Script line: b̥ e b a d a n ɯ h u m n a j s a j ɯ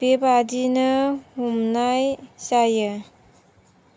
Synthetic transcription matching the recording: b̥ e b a d i n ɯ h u m n a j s a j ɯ